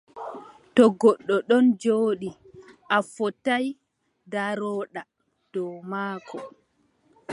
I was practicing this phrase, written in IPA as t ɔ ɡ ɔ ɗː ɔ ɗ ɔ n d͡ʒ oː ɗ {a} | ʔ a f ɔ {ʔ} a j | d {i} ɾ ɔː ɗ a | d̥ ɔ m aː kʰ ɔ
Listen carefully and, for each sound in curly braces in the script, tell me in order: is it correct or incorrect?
incorrect, incorrect, incorrect

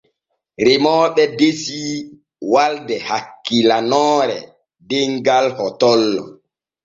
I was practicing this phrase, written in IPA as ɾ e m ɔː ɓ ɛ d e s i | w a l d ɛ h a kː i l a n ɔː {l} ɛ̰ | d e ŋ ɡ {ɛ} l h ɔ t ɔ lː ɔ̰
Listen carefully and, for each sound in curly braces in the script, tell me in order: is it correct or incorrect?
incorrect, incorrect

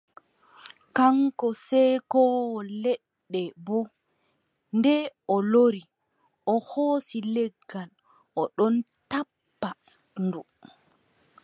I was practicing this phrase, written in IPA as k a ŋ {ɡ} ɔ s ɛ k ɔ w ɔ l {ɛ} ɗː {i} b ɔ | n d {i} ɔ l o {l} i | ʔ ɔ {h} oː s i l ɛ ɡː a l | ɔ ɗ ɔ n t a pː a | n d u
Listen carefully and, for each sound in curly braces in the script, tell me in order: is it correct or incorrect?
incorrect, correct, incorrect, incorrect, incorrect, correct

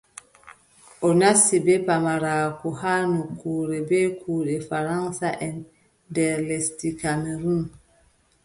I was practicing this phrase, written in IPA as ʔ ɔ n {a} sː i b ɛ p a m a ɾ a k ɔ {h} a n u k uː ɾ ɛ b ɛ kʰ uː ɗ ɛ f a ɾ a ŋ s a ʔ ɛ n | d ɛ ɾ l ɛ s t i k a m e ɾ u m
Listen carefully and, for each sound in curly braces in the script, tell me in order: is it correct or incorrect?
correct, correct

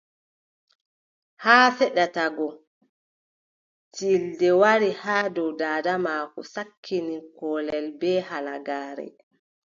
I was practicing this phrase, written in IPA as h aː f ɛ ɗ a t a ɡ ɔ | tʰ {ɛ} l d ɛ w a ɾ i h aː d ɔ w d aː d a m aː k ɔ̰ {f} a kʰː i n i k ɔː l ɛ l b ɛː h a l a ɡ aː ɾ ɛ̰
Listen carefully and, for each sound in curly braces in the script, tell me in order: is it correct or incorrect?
incorrect, incorrect

